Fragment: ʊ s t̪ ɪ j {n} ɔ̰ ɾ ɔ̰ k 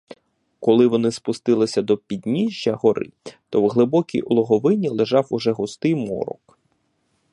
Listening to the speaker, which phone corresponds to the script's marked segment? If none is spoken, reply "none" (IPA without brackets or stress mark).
m